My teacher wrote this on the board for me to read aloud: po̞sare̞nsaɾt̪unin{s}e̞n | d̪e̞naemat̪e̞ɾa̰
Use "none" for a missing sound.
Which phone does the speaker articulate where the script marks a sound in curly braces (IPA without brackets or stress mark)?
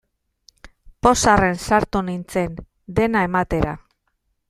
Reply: t͡s